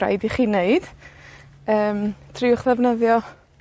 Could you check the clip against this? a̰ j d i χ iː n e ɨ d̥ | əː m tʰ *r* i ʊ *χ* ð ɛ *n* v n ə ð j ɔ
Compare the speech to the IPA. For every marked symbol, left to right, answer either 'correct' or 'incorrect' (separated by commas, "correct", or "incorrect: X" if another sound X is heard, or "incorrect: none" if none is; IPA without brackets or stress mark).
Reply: correct, correct, incorrect: none